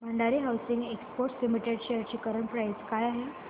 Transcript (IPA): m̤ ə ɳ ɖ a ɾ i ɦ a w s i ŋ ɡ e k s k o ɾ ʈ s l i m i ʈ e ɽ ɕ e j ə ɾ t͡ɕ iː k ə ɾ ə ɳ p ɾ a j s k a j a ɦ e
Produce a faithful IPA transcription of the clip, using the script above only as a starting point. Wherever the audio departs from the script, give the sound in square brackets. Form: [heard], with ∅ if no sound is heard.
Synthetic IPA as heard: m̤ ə ɳ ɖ a ɾ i ɦ a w s i ŋ ɡ e k s [p] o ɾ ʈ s l i m i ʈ e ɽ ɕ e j ə ɾ t͡ɕ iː k ə ɾ ə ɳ p ɾ a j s k a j a ɦ e